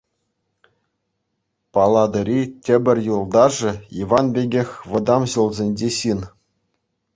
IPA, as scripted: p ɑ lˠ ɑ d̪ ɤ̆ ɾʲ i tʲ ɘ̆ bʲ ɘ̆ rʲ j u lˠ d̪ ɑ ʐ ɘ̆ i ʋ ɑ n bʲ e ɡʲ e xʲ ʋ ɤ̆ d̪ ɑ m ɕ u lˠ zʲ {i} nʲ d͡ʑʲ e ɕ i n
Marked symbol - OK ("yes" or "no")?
no